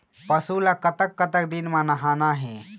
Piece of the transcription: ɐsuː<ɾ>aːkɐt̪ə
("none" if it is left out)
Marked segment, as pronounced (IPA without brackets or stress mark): l